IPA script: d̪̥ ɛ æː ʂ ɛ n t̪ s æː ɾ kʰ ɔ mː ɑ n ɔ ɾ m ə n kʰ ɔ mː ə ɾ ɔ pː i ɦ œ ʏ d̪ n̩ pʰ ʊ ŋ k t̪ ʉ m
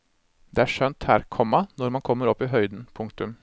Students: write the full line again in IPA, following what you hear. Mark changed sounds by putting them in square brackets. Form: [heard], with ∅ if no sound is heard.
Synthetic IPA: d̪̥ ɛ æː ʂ [œ] n t̪ [h] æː ɾ kʰ ɔ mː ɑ n ɔ ɾ m [ɑ] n kʰ ɔ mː ə ɾ ɔ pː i ɦ œ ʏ d̪ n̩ pʰ ʊ ŋ k t̪ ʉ m